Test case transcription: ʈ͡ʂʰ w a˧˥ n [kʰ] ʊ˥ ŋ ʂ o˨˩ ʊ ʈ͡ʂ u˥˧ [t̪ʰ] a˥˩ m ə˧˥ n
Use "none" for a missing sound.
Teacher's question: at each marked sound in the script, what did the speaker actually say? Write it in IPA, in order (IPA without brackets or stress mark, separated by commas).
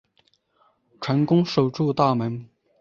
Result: k, t̪